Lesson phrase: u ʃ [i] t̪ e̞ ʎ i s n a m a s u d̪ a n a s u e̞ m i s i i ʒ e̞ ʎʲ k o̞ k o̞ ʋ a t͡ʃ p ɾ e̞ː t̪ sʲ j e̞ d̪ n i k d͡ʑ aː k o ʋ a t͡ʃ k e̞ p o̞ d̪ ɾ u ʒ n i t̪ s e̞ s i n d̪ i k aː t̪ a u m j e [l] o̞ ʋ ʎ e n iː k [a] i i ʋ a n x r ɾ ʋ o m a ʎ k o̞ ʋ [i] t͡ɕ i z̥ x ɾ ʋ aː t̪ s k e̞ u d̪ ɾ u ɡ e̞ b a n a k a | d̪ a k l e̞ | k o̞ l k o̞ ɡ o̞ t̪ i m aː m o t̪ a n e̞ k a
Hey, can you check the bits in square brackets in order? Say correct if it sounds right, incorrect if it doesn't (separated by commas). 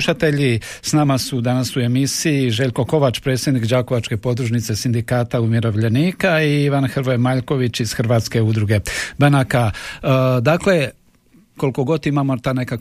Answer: incorrect, incorrect, correct, correct